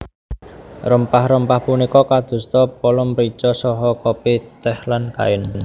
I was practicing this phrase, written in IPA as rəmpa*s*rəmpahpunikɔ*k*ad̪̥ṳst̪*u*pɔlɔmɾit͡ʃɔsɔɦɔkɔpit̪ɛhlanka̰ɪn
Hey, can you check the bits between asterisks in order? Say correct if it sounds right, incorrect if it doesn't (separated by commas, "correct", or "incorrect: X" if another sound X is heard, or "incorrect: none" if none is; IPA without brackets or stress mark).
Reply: incorrect: h, correct, incorrect: ɔ